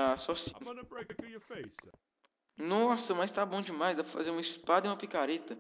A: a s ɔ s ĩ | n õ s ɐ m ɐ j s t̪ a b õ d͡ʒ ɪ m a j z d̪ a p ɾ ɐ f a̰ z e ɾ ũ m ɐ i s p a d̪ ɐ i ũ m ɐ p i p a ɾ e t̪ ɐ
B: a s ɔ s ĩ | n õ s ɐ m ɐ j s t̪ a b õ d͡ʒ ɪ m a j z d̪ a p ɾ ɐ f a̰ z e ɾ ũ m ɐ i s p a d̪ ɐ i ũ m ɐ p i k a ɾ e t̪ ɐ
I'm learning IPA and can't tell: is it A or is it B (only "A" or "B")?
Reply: B